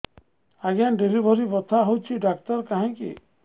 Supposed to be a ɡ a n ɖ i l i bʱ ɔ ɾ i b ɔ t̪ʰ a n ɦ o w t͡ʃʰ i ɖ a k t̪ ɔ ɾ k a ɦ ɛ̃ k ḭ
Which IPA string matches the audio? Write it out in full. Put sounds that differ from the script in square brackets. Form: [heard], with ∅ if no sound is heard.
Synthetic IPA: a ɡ a n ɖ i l i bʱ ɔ ɾ i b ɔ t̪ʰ a [∅] ɦ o w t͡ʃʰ i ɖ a k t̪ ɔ ɾ k a ɦ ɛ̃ k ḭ